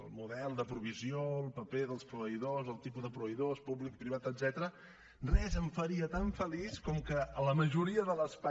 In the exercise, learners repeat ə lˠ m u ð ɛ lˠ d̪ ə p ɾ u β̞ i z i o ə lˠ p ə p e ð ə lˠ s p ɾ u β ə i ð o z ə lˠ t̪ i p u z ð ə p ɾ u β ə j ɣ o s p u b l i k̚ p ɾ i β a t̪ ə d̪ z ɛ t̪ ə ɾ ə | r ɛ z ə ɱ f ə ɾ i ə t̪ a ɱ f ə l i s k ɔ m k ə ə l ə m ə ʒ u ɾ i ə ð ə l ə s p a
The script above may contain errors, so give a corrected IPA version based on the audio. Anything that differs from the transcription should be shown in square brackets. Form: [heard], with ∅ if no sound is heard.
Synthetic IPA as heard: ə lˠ m u ð ɛ lˠ d̪ ə p ɾ u β̞ i z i o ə lˠ p ə p e ð ə lˠ s p ɾ u β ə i ð o z ə lˠ t̪ i p u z ð ə p ɾ u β ə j [ð] o s p u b l i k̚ p ɾ i β a t̪ ə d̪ z ɛ t̪ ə ɾ ə | r ɛ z ə ɱ f ə ɾ i ə t̪ a ɱ f ə l i s k ɔ m k ə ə l ə m ə ʒ u ɾ i ə ð ə l ə s p a